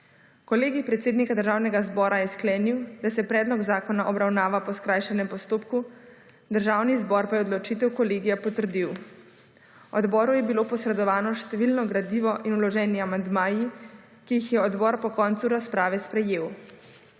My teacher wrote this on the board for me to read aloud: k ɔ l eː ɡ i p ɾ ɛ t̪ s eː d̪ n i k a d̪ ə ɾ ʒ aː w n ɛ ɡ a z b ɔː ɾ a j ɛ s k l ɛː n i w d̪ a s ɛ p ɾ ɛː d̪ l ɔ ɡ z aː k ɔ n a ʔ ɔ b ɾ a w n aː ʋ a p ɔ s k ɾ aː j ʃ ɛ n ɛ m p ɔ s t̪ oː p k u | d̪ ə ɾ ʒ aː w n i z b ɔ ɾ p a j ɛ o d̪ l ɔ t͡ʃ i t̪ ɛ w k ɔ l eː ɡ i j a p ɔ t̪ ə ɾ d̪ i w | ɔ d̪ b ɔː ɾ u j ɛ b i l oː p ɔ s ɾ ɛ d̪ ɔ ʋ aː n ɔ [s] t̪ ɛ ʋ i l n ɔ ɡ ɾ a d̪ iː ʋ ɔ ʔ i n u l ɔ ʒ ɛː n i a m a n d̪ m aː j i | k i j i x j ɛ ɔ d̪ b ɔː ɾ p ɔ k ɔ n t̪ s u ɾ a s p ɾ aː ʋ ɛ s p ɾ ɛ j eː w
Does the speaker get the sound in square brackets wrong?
yes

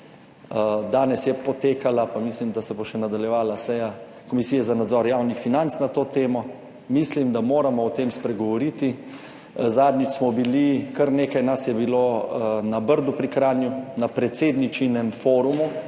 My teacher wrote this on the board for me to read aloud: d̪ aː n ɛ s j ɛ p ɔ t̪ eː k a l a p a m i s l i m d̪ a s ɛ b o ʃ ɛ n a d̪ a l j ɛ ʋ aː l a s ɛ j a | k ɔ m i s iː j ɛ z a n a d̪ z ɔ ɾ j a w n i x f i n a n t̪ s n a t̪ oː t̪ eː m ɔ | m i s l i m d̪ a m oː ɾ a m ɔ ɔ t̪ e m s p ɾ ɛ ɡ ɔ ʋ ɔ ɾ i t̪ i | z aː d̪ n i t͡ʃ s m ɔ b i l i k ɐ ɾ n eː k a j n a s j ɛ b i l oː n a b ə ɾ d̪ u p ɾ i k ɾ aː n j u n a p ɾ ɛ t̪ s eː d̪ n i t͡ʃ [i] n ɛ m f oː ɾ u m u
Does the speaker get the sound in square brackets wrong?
no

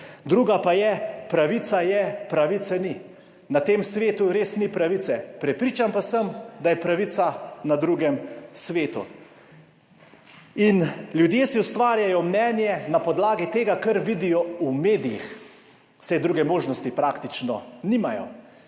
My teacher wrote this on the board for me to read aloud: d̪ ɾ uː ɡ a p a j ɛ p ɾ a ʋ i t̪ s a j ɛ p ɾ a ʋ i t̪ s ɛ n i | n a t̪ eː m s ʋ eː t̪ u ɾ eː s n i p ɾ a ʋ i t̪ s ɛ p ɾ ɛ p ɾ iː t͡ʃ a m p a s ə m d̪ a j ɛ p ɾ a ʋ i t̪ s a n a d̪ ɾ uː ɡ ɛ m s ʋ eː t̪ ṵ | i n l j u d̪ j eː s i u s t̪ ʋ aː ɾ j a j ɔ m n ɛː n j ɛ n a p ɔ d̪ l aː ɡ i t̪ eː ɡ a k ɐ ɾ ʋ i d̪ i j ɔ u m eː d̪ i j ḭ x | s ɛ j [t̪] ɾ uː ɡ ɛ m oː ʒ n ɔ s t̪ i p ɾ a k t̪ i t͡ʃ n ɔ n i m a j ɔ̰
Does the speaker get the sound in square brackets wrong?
yes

